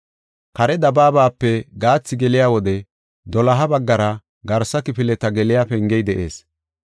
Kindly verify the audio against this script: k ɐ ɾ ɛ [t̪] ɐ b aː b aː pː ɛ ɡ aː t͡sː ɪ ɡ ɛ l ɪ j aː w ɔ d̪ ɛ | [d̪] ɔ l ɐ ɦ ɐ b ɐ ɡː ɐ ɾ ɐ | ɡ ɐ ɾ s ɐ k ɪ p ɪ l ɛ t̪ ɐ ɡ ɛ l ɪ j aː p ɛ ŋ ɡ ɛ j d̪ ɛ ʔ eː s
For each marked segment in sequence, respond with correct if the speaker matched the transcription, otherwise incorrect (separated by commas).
incorrect, correct